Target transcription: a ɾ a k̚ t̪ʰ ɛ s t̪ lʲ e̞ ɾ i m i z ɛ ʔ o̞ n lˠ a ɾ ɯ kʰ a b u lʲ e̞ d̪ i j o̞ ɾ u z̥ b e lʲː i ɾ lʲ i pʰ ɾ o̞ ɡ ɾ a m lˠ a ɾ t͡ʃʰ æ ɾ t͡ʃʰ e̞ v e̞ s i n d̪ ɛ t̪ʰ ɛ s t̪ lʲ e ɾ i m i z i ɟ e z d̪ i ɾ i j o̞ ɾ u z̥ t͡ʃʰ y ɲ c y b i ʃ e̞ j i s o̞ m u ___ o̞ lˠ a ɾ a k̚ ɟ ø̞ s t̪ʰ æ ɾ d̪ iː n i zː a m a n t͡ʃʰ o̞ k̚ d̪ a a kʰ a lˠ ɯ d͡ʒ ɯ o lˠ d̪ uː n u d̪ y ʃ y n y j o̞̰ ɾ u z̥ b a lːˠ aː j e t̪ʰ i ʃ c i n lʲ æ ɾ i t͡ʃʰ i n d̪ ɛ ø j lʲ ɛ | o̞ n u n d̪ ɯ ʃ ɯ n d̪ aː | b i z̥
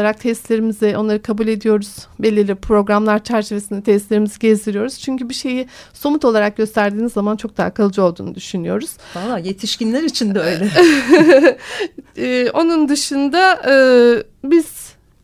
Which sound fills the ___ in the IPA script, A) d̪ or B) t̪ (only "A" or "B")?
B